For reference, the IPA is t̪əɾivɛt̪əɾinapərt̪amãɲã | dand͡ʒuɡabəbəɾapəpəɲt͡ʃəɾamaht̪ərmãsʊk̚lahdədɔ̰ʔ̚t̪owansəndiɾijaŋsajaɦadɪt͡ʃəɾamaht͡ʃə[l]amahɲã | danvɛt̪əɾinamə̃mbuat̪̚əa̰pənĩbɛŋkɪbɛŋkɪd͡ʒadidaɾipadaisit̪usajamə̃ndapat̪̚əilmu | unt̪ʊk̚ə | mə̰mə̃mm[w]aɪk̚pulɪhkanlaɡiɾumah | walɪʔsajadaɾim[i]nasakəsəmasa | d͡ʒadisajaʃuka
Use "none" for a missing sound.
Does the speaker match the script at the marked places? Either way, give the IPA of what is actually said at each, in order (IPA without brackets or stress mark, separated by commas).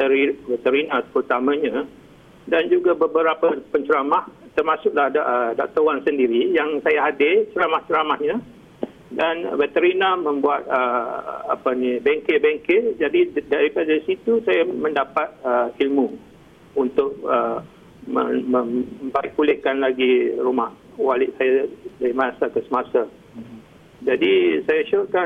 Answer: ɾ, b, a